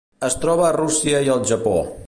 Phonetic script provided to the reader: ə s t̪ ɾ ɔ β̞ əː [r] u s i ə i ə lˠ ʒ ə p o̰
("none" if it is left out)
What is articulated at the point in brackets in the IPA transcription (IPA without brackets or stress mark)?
r